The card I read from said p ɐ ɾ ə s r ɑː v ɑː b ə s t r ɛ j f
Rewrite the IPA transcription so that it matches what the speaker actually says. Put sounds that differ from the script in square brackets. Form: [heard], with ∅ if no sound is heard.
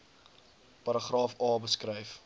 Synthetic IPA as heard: p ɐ ɾ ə [χ] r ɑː [f] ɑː b ə s [k] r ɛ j f